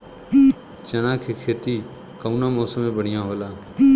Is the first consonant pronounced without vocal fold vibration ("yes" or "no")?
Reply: yes